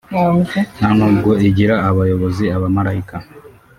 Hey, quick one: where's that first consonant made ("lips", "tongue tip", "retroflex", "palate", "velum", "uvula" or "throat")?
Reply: tongue tip